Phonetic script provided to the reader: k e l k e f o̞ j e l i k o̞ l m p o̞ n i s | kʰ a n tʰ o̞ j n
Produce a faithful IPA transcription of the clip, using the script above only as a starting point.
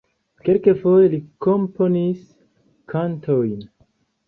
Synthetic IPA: k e l k e f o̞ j e l i k o̞ m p o̞ n i s | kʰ a n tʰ o̞ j n